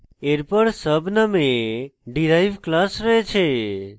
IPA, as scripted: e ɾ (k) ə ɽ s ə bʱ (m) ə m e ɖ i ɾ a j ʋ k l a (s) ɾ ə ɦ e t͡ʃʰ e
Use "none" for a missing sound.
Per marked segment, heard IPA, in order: p, n, s

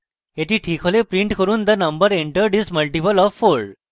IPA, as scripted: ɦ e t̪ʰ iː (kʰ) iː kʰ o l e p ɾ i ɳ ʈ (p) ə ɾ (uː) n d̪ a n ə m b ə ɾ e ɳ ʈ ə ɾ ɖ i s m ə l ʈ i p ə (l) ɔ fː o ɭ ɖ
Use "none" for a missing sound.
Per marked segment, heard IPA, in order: ʈʰ, k, uː, l

